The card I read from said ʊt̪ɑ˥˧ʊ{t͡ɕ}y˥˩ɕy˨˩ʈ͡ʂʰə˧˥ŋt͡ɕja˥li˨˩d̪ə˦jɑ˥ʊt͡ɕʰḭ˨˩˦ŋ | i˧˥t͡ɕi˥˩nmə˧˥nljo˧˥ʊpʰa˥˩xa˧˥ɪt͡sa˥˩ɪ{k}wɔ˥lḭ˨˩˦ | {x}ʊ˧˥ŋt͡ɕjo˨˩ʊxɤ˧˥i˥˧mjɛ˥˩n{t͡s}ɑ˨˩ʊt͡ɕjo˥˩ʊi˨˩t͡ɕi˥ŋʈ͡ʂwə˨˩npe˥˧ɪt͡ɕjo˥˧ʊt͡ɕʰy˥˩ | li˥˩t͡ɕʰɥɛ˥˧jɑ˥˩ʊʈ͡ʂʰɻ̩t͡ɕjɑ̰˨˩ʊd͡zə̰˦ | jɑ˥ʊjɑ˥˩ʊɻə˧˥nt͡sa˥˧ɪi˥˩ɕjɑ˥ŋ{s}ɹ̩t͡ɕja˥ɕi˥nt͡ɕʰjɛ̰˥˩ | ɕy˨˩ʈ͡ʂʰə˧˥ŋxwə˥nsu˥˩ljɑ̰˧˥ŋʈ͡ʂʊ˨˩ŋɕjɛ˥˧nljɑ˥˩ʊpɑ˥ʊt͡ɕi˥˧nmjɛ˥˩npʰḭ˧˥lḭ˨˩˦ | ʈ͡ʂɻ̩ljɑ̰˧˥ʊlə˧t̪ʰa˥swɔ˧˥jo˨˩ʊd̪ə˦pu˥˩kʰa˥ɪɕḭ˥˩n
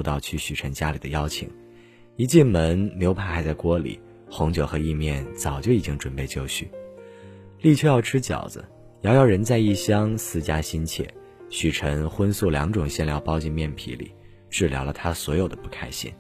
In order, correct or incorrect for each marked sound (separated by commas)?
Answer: incorrect, correct, correct, correct, correct